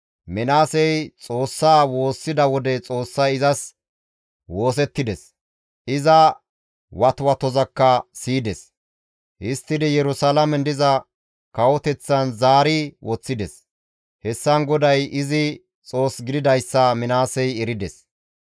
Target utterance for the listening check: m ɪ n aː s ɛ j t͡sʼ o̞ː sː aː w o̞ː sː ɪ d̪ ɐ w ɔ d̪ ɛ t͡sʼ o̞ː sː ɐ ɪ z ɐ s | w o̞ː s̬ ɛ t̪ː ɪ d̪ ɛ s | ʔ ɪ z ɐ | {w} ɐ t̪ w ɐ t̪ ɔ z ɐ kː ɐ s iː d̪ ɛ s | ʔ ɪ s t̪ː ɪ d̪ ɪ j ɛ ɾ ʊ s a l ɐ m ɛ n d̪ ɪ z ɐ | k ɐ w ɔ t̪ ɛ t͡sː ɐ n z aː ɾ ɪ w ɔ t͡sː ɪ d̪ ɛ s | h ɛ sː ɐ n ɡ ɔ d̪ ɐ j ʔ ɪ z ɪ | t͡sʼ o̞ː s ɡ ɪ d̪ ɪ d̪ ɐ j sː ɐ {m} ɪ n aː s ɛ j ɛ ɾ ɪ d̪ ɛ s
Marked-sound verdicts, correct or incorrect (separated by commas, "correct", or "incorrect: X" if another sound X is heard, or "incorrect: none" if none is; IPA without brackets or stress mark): correct, correct